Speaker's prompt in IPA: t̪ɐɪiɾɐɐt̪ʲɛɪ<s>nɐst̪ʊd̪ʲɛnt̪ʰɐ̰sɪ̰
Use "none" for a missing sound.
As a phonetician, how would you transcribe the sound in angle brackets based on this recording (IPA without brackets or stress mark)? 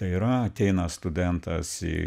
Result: none